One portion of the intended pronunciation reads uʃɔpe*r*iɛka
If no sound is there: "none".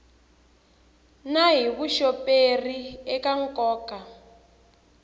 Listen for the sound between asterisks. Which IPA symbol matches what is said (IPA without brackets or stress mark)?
r